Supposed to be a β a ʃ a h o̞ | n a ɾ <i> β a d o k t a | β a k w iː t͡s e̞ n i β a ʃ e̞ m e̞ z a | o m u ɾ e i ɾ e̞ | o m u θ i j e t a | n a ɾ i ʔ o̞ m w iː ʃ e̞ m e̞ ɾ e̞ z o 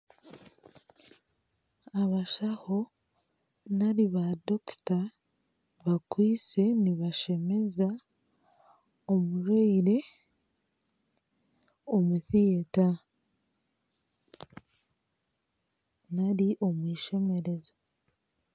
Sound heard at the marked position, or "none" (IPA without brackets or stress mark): i